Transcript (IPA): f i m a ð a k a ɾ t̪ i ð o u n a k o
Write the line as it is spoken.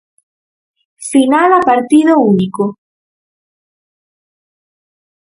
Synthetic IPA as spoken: s i n a ð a p a ɾ t̪ i ð o u n i k o